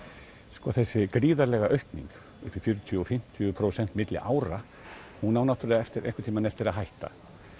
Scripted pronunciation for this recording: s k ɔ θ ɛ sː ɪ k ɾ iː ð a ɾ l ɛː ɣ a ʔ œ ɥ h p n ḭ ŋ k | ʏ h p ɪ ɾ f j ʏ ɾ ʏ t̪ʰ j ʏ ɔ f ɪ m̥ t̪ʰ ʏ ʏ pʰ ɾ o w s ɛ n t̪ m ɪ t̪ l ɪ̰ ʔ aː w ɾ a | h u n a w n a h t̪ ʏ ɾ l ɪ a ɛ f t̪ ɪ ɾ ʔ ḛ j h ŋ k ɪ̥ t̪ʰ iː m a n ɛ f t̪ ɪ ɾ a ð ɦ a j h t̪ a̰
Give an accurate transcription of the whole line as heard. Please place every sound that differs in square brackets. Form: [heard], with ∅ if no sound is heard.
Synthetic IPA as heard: s k ɔ θ ɛ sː ɪ k ɾ iː ð a ɾ l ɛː ɣ a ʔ œ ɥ h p n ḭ ŋ k | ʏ h p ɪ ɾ f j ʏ ɾ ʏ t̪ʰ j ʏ ɔ f ɪ m̥ t̪ʰ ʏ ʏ pʰ ɾ o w s ɛ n t̪ m ɪ t̪ l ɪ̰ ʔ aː w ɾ a | h u n a w n a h t̪ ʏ ɾ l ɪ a ɛ f t̪ ɪ ɾ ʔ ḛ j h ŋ k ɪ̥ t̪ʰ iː m a n ɛ f t̪ ɪ ɾ a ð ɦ a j h t̪ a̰

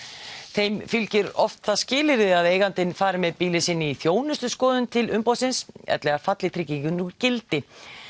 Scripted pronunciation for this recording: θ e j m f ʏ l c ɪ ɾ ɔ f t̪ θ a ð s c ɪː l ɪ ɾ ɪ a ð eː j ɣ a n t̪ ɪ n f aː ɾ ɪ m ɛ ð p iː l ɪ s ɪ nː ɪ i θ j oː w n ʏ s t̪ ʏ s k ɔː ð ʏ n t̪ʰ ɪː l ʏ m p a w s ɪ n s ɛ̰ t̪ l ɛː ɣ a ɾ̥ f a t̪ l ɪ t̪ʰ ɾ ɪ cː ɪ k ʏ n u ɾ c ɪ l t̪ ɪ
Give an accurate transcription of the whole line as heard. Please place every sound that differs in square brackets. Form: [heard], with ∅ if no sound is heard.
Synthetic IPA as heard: θ e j m f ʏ l c ɪ ɾ ɔ f t̪ θ a ð s c ɪː l ɪ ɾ ɪ a ð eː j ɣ a n t̪ ɪ n f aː ɾ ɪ m ɛ ð p iː l ɪ s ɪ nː ɪ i θ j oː w n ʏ s t̪ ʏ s k ɔː ð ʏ n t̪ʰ [ɪ] l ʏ m p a w s ɪ n s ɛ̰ t̪ l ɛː ɣ a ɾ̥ f a t̪ l ɪ t̪ʰ ɾ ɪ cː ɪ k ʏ n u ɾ c ɪ l t̪ ɪ

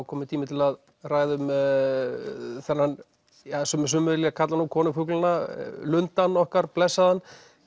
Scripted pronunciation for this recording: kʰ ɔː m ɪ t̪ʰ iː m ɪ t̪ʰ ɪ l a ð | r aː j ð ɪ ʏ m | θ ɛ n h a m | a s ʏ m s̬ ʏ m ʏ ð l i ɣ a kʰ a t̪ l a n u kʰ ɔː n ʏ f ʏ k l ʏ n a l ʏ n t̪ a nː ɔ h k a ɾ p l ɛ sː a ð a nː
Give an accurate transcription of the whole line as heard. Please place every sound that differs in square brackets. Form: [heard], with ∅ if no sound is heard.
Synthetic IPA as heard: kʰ ɔː m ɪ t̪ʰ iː m ɪ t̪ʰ ɪ l a ð | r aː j ð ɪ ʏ m | θ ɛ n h a [n] | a s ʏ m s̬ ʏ m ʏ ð l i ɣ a kʰ a t̪ l a n u kʰ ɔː n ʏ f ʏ k l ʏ n a l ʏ n t̪ a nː ɔ h k a ɾ p l ɛ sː a ð a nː

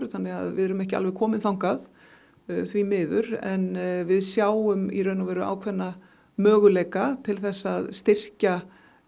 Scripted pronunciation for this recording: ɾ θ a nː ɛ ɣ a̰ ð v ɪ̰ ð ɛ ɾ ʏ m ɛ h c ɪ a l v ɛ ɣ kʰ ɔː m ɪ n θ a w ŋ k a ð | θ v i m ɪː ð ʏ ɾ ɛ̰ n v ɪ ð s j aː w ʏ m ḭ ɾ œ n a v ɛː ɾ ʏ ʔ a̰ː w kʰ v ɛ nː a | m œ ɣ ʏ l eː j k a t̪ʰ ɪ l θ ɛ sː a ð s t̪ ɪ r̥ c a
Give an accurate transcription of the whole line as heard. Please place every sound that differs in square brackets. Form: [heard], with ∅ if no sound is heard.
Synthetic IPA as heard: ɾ θ a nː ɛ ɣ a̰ ð v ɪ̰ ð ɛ ɾ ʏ m ɛ h c ɪ a l v ɛ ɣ kʰ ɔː m ɪ n θ a w ŋ k a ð | θ v i m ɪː ð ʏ ɾ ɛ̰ n v ɪ ð s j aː w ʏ m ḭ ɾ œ n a v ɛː ɾ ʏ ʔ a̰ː w kʰ v ɛ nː a | m [œː] ɣ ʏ l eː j k a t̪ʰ ɪ l θ ɛ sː a ð s t̪ ɪ r̥ c a

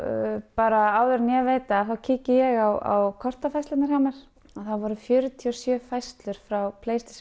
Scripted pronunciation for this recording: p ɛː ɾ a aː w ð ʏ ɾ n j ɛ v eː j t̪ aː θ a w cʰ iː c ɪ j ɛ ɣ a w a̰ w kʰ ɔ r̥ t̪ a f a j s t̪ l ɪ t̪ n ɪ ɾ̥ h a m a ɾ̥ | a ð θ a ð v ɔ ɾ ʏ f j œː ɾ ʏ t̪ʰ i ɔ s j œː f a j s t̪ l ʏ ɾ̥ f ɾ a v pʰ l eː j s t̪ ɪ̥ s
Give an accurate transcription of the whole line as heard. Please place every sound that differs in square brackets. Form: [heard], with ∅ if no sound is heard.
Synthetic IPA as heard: p [aː] ɾ a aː w ð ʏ ɾ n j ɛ v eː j t̪ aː θ a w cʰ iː c ɪ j ɛ ɣ a w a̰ w kʰ ɔ r̥ t̪ a f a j s t̪ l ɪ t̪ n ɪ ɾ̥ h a m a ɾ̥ | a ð θ a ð v ɔ ɾ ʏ f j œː ɾ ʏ t̪ʰ i ɔ s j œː f a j s t̪ l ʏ ɾ̥ f ɾ a [w] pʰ l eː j s t̪ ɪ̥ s

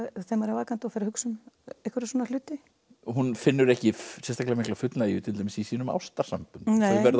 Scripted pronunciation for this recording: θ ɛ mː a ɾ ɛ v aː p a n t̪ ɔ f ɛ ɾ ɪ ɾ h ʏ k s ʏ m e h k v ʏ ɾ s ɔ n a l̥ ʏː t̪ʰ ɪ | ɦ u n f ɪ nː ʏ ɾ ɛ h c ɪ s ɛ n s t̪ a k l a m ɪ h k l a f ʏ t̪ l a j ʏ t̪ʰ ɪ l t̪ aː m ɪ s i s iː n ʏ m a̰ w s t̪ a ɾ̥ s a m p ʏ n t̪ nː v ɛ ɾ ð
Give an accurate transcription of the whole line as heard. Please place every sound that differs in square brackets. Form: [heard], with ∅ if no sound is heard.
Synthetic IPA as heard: θ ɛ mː a ɾ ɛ v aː [k] a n t̪ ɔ f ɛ ɾ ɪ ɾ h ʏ k s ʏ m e h k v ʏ ɾ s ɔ n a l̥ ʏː [t̪] ɪ | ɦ u n f ɪ nː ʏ ɾ ɛ h c ɪ s ɛ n s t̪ a k l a m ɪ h k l a f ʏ t̪ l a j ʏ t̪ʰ ɪ l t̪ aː m ɪ s i s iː n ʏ m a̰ w s t̪ a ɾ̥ s a m p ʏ n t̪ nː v ɛ ɾ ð

